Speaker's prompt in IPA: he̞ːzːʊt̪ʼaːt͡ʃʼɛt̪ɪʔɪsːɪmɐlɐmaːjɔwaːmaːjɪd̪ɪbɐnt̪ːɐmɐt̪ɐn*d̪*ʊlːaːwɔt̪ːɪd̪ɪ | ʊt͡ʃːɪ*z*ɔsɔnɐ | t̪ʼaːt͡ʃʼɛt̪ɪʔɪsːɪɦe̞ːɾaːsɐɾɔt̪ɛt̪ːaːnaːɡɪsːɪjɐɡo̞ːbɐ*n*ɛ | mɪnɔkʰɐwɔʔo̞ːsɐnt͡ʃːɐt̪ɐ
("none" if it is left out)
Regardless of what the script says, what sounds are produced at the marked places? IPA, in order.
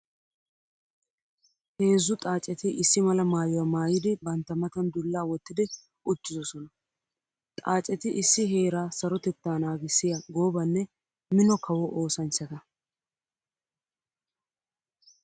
d̪, z, nː

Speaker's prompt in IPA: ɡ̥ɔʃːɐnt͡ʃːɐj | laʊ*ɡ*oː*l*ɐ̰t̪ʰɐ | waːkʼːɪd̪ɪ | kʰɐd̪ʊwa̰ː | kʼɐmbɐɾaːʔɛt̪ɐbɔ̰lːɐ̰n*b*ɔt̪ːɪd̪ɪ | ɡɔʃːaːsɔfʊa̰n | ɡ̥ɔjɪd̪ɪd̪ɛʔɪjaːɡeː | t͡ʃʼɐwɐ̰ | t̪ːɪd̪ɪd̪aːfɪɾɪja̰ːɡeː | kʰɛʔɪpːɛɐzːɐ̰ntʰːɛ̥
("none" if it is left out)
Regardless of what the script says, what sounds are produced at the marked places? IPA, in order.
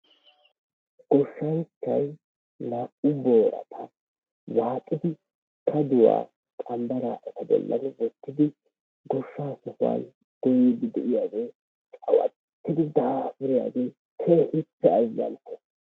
b, ɾ, w

